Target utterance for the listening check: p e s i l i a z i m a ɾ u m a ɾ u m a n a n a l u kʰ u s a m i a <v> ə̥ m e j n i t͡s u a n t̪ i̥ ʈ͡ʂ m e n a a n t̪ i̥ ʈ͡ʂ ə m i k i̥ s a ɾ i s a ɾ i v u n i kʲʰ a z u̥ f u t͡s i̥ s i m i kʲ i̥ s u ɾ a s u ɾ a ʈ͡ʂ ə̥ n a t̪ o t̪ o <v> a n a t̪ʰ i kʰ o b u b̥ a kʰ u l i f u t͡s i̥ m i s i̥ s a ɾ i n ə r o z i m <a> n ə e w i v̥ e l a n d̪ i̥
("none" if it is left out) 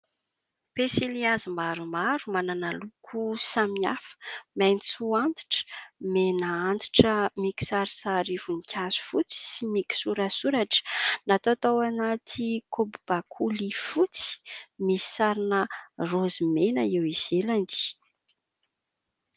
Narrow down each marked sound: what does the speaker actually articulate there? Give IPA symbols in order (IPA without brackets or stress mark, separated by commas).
f, w, e